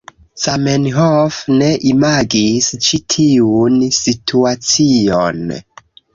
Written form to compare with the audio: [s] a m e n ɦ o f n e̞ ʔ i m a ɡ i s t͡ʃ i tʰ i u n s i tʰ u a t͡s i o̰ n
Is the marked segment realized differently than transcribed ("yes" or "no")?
no